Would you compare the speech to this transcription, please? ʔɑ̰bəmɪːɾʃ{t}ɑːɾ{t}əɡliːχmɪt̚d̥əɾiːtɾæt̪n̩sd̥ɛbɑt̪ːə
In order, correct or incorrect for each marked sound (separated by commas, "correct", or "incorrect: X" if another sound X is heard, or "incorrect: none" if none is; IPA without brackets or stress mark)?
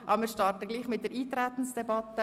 correct, correct